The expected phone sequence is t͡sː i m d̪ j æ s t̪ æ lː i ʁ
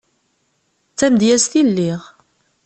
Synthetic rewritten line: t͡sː æ m d̪ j æ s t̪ i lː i ʁ

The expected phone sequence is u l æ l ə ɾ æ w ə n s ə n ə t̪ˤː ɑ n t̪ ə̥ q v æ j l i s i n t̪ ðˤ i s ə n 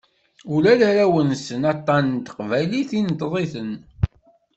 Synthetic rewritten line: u l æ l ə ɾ æ w ə n s ə n ɑ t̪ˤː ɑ n t̪ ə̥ q v æ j l i θ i n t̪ ðˤ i θ ə n

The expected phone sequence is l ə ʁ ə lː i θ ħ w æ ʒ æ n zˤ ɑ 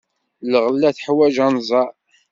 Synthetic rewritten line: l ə ʁ ə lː æ θ ħ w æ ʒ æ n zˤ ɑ

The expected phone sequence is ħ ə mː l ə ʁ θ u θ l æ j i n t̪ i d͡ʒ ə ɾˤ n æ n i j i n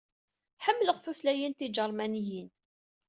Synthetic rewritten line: ħ ə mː l ə ʁ f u θ l æ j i n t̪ i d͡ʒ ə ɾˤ m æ n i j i n

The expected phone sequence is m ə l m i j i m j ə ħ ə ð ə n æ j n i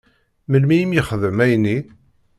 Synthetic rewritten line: m ə l m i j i m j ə χ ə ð ə m æ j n i

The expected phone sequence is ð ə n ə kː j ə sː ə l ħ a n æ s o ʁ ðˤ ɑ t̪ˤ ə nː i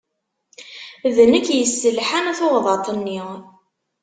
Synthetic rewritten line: ð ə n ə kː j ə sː ə l ħ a n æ θ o ʁ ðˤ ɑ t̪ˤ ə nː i

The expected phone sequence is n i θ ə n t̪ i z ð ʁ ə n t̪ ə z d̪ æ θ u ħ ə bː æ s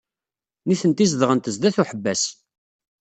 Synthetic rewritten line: n i θ ə n t̪ i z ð ʁ ə n t̪ ə z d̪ æ θ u ħ ə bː æ s

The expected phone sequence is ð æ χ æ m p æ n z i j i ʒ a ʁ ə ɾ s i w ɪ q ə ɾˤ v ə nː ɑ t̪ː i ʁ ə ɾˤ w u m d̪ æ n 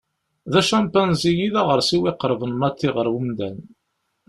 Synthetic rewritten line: ð æ ʃ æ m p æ n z i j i ð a ʁ ə ɾ s i w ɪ q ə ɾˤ v ə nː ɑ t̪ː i ʁ ə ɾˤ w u m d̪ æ n

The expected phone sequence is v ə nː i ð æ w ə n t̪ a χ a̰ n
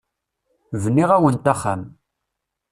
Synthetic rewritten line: v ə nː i ʁ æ w ə n t̪ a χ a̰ m

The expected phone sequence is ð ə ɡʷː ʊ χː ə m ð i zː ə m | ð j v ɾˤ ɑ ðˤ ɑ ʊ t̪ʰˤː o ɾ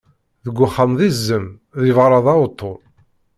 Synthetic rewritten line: ð ə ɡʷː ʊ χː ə m ð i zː ə m | ð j v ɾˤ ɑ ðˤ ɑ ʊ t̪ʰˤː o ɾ

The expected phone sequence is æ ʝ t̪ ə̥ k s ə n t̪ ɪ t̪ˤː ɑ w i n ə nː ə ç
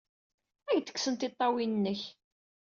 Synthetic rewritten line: æ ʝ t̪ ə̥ k s ə n t̪ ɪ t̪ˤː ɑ w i n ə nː ə ç

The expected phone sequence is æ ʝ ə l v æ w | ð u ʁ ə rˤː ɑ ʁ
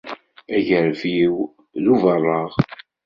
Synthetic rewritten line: æ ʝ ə ɾ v i w | ð u v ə rˤː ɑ ʁ

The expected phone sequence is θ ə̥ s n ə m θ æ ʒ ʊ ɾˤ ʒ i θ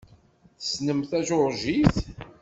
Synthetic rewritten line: θ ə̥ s n ə m θ æ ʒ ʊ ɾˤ ʒ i θ

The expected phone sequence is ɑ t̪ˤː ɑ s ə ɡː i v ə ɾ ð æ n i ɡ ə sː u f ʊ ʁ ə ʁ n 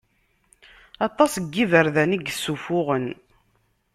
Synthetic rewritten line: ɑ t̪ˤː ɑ s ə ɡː i v ə ɾ ð æ n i ɡ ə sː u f ʊ ʁ ə n

